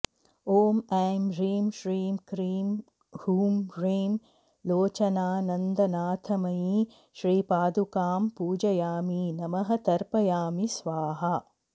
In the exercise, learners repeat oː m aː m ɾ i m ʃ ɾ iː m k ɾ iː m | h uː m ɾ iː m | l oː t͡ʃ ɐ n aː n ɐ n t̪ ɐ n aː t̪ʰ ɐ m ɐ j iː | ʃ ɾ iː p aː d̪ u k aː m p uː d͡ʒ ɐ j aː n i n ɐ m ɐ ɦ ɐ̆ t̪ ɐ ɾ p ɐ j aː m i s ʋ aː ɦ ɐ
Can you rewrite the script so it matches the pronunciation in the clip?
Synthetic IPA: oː m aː m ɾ iː m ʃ ɾ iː m k ɾ iː m | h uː m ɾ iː m | l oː t͡ʃ ɐ n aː n ɐ n d̪ ɐ n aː t̪ʰ ɐ m ɐ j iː | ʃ ɾ iː p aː d̪ u k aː m p uː d͡ʒ ɐ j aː m i n ɐ m ɐ ɦ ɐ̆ t̪ ɐ ɾ p ɐ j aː m i s ʋ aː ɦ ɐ